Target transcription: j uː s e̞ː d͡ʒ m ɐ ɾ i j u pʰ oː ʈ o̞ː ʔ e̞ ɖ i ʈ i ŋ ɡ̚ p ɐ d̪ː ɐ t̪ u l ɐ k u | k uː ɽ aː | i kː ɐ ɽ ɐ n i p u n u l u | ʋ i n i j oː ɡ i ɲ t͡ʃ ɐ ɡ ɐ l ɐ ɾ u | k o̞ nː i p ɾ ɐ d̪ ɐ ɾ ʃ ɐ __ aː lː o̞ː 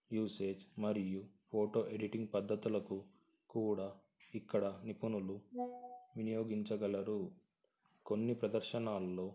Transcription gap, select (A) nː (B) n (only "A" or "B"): B